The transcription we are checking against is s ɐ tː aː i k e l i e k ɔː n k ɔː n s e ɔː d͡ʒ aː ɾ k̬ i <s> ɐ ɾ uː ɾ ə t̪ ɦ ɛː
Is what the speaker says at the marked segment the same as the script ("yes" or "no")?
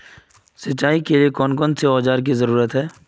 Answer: no